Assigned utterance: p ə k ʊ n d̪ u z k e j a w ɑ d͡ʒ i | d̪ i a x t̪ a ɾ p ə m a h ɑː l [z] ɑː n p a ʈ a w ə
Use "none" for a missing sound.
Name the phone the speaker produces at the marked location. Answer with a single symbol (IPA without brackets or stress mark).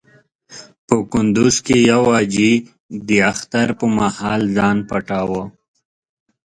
z